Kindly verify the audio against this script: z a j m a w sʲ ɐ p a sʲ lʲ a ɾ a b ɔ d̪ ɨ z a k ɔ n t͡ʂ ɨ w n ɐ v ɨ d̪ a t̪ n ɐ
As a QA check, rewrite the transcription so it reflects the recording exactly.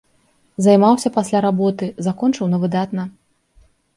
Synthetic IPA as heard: z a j m a w sʲ ɐ p a sʲ lʲ a ɾ a b ɔ t̪ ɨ z a k ɔ n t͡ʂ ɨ w n ɐ v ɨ d̪ a t̪ n ɐ

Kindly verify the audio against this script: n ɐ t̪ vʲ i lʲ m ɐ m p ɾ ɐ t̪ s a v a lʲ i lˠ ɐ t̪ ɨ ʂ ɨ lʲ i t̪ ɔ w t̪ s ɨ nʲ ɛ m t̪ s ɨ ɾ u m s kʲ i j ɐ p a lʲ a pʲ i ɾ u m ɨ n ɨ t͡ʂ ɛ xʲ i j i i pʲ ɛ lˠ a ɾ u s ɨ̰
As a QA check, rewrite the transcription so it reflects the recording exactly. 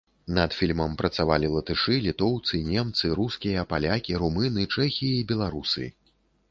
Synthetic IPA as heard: n ɐ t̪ fʲ i lʲ m ɐ m p ɾ ɐ t̪ s a v a lʲ i lˠ ɐ t̪ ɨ ʂ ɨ lʲ i t̪ ɔ w t̪ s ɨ nʲ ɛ m t̪ s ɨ ɾ u s kʲ i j ɐ p a lʲ a kʲ i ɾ u m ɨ n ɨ t͡ʂ ɛ xʲ i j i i bʲ ɛ lˠ a ɾ u s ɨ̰

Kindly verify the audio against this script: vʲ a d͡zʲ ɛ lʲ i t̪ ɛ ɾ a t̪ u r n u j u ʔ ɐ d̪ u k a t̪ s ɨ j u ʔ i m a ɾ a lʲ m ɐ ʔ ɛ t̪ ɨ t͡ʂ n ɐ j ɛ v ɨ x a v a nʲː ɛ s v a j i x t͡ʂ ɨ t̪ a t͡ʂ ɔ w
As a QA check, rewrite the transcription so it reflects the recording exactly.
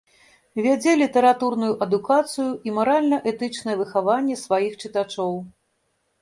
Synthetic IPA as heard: vʲ a d͡zʲ ɛ lʲ i t̪ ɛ ɾ a t̪ u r n u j u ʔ ɐ d̪ u k a t̪ s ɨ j u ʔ i m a ɾ a lʲ n ɐ ʔ ɛ t̪ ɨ t͡ʂ n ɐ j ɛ v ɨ x a v a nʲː ɛ s v a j i x t͡ʂ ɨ t̪ a t͡ʂ ɔ w

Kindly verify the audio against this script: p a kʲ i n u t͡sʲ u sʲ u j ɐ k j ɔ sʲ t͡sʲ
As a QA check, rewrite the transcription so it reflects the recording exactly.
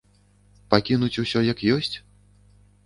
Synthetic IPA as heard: p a kʲ i n u t͡sʲ u sʲ ɔ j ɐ k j ɔ sʲ t͡sʲ

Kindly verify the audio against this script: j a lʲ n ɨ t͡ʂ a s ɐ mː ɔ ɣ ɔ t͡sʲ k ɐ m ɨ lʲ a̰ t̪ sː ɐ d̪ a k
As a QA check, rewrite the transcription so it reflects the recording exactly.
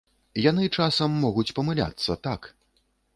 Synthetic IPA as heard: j a n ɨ t͡ʂ a s ɐ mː ɔ ɣ u t͡sʲ p ɐ m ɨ lʲ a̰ t̪ sː ɐ t̪ a k

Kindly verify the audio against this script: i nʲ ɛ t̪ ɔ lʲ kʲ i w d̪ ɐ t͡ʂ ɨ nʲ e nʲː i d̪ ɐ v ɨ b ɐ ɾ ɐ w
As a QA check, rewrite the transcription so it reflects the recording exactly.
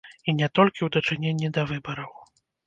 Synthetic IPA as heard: i nʲ ɛ t̪ ɔ lʲ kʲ i w d̪ ɐ t͡ʂ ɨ nʲ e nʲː i d̪ ɐ v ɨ b ɐ ɾ ɐ w

